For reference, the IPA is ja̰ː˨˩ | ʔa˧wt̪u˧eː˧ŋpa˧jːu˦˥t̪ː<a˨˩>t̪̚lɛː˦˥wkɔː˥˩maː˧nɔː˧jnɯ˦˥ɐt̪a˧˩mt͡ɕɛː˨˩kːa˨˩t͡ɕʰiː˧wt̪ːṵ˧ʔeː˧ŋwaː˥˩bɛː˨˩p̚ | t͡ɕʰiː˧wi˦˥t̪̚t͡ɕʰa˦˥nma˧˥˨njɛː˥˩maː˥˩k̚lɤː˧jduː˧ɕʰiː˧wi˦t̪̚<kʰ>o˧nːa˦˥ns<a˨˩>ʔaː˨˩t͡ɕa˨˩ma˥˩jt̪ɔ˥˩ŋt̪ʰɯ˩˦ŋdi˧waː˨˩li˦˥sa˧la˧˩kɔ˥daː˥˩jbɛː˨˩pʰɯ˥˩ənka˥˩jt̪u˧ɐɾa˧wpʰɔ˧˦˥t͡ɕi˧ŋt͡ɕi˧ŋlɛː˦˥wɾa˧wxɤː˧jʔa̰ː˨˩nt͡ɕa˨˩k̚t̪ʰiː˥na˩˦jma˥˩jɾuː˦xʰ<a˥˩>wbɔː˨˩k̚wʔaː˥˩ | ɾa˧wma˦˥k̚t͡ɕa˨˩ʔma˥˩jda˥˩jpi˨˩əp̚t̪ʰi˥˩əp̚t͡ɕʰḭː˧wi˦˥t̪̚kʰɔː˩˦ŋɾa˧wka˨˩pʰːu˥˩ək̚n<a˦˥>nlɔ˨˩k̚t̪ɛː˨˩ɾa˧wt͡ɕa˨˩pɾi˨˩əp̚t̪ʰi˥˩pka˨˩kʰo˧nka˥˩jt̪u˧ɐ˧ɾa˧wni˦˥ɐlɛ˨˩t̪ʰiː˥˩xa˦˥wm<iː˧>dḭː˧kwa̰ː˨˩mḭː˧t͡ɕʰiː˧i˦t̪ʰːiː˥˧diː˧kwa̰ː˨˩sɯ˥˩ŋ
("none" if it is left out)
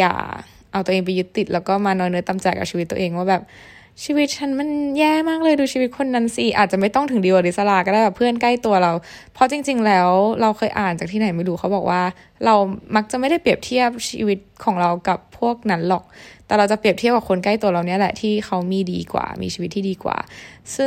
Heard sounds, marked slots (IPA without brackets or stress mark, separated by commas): i˨˩, kʰ, i˨˩, a˦, a˦˥, iː˧